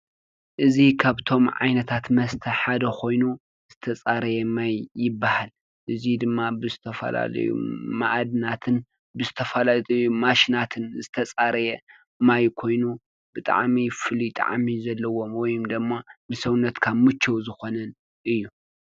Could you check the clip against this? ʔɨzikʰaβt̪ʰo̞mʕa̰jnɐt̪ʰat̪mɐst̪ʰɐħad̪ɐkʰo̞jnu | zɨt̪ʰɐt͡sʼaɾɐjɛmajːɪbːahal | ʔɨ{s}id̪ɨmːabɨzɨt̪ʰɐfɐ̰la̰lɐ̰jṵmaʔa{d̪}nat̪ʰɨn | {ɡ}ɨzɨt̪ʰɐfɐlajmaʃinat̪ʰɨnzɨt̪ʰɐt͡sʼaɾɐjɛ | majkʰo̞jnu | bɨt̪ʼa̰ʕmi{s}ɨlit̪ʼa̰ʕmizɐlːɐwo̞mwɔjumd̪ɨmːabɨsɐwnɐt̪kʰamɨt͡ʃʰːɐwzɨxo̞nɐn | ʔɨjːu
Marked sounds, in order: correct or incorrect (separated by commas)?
incorrect, correct, incorrect, incorrect